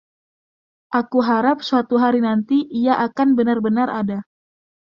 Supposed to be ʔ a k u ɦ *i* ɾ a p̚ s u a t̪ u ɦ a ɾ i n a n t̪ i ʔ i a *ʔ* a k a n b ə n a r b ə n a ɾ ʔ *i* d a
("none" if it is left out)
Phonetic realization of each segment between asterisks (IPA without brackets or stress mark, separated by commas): a, ʔ, a